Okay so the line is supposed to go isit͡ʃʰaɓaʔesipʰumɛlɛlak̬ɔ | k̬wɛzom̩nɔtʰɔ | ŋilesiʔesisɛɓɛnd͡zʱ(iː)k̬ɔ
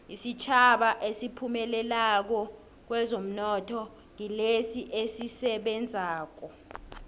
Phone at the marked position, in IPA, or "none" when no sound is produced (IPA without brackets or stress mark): aː